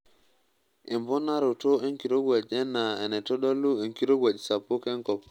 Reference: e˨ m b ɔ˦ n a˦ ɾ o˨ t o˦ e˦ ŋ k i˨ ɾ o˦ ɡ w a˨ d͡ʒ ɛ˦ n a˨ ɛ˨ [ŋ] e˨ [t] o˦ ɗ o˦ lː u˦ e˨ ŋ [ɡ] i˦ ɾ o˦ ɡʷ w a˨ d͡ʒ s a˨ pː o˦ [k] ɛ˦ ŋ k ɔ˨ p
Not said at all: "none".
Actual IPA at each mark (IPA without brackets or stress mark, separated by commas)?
n, t, k, k